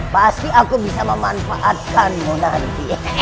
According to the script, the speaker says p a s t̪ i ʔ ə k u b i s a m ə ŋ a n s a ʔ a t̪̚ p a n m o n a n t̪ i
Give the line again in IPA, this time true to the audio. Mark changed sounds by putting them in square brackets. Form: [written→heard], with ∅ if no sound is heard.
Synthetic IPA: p a s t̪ i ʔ [ə→a] k u b i s a m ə [ŋ→m] a n [s→f] a ʔ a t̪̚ [p→k] a n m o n a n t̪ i